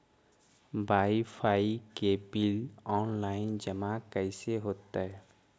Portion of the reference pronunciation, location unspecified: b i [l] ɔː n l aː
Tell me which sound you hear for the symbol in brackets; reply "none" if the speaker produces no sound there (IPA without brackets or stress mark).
l